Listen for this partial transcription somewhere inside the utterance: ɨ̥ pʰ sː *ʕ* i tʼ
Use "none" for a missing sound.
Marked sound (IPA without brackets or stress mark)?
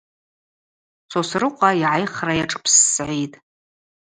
ʕ